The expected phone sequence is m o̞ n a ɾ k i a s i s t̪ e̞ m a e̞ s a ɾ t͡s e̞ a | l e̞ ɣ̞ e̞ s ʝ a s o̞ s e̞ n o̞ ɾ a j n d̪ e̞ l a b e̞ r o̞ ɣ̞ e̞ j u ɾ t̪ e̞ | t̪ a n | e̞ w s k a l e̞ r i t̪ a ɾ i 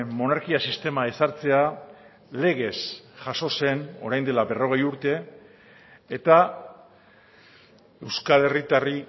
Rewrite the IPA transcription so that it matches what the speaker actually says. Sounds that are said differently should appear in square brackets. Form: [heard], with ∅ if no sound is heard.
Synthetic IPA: m o̞ n a ɾ k i a s i s t̪ e̞ m a e̞ s a ɾ t͡s e̞ a | l e̞ ɣ̞ e̞ s ʝ a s o̞ s e̞ n o̞ ɾ a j n d̪ e̞ l a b e̞ r o̞ ɣ̞ e̞ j u ɾ t̪ e̞ | t̪ a [∅] | e̞ w s k a l e̞ r i t̪ a [r] i